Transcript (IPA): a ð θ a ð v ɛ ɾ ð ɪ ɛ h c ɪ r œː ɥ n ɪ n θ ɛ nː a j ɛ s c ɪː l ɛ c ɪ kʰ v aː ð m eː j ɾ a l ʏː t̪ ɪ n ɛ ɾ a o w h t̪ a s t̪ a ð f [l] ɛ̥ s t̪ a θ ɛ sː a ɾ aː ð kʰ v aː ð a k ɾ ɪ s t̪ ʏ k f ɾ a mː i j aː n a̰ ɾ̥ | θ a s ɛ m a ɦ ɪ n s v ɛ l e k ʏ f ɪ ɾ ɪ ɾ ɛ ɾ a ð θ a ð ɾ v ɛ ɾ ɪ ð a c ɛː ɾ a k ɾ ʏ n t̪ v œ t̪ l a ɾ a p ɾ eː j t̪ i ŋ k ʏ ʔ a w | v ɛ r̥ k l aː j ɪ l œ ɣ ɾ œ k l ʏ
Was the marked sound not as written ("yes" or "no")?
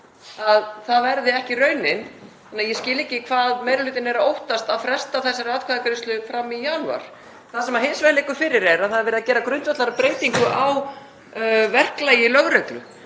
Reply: yes